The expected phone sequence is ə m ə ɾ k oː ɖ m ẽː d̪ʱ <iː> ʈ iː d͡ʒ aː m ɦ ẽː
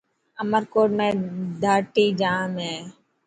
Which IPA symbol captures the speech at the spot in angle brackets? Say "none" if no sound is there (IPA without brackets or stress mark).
aː